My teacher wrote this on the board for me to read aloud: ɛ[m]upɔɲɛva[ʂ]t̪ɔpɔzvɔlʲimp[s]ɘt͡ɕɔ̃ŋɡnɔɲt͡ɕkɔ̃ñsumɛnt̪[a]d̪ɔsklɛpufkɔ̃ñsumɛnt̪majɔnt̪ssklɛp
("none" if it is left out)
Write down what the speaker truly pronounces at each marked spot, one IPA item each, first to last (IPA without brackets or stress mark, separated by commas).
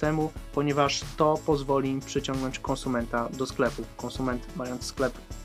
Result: m, ʂ, ʂ, a